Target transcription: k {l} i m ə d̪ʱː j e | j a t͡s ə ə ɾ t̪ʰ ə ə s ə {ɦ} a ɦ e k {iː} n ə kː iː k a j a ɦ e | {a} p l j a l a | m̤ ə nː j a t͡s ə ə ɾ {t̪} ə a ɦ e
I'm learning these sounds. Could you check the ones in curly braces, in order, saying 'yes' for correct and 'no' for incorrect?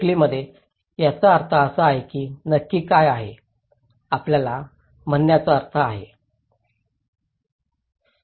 yes, no, yes, yes, no

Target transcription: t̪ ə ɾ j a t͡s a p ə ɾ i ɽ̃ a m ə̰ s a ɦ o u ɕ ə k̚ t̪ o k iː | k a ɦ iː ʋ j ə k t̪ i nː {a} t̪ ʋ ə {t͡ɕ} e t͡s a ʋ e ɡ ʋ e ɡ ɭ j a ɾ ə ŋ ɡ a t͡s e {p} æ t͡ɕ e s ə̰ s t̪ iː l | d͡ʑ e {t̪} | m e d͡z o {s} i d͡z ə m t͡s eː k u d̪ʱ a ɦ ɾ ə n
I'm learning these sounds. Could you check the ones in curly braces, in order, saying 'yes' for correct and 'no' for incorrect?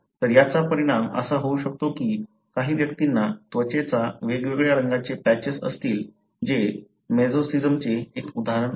yes, yes, yes, no, yes

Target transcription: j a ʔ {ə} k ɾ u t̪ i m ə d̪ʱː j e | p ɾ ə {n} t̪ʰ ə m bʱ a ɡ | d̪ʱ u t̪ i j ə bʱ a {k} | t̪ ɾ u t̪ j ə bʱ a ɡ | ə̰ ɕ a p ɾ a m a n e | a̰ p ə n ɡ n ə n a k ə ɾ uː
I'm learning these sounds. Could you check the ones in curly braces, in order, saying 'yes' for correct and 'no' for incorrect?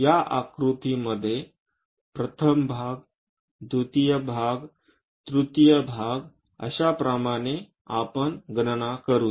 no, no, no

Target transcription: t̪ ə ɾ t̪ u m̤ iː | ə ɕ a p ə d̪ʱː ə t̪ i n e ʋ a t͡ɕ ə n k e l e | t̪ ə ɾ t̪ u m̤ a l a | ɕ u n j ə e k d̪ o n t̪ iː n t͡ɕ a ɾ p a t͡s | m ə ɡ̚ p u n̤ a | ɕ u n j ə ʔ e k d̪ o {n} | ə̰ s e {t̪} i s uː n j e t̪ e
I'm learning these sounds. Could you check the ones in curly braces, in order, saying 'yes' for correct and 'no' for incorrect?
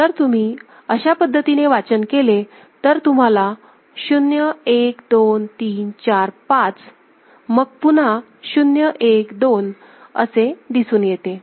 yes, no

